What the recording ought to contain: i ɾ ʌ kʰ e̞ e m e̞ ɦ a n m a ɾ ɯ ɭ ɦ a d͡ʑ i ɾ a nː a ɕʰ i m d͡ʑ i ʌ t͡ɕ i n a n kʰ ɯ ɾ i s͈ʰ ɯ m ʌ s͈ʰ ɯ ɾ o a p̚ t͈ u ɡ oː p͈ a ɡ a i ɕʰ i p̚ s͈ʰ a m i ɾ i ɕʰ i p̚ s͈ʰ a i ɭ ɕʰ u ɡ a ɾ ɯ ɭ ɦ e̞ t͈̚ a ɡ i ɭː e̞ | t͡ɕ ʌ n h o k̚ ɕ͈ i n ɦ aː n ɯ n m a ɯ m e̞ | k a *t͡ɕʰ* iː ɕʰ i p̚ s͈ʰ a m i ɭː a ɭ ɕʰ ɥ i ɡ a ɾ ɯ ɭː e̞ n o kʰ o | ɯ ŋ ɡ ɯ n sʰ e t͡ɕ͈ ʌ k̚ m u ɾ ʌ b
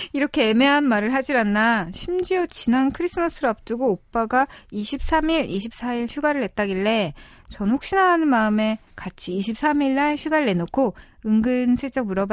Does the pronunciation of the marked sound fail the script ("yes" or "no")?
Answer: no